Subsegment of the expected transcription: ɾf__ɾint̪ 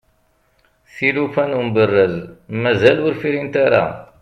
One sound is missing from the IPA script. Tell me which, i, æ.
i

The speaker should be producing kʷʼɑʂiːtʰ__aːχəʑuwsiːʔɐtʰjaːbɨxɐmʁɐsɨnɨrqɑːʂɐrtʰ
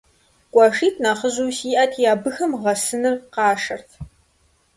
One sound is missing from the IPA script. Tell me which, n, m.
n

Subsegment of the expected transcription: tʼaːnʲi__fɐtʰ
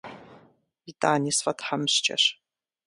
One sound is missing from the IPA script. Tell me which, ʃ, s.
s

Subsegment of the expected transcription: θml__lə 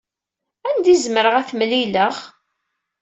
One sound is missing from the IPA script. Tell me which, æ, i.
i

